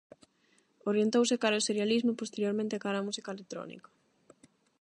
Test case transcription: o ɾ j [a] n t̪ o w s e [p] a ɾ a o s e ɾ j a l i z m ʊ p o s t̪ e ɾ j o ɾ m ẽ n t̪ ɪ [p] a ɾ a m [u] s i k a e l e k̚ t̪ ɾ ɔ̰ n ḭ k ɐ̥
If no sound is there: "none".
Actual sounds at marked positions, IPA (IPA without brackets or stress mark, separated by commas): e, k, k, u